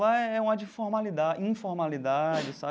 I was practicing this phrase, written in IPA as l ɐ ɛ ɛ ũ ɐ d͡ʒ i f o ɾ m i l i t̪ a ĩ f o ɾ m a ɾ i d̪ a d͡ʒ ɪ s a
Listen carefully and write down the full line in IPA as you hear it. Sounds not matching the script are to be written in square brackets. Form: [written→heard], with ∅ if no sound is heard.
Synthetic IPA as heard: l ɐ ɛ ɛ ũ ɐ d͡ʒ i f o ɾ m [i→a] l i [t̪→d̪] a ĩ f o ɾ m a [ɾ→l] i d̪ a d͡ʒ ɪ s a